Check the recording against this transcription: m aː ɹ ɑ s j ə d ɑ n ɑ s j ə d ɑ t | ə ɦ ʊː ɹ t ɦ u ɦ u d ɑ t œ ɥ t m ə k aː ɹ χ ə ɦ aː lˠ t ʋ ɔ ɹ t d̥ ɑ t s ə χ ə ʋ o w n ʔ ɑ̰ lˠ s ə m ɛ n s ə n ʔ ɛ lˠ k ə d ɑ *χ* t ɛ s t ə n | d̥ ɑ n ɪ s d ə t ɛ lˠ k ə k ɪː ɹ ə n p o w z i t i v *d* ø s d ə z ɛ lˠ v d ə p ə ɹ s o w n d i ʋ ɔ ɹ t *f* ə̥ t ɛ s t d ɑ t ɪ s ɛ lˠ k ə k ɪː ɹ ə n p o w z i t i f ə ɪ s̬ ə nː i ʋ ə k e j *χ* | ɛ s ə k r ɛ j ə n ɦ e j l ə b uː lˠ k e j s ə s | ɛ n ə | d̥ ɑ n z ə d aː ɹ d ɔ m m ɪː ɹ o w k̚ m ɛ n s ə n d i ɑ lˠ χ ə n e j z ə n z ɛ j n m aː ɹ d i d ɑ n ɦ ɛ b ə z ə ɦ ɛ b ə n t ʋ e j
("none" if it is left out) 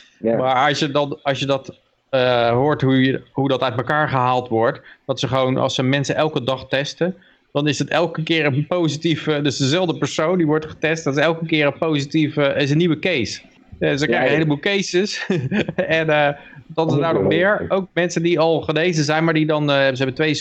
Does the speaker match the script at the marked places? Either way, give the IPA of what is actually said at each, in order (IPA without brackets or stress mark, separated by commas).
χ, d, χ, s